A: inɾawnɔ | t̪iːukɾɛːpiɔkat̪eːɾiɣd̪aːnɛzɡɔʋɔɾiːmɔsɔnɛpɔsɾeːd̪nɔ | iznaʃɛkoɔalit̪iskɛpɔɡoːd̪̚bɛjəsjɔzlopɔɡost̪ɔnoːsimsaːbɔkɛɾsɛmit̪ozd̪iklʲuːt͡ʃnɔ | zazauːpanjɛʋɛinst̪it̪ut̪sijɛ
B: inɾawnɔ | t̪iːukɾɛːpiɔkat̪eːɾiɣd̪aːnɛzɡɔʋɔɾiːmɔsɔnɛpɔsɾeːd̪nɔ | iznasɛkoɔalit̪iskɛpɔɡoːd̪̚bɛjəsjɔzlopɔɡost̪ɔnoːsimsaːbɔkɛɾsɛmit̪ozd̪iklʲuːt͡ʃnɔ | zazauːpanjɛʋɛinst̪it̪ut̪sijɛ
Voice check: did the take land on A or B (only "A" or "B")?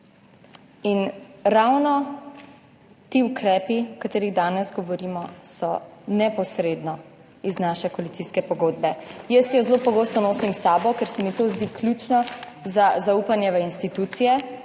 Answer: A